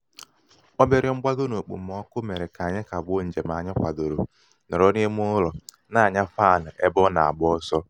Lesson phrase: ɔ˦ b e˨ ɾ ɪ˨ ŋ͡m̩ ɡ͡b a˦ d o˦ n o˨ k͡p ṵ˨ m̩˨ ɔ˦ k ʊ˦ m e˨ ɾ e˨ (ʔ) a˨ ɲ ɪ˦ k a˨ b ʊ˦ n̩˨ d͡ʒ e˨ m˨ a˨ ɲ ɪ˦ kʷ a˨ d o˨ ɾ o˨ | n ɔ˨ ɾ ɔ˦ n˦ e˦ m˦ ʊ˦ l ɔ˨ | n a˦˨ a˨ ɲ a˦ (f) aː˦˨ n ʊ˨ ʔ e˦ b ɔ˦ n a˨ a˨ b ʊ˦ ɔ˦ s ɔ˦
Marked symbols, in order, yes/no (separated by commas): no, yes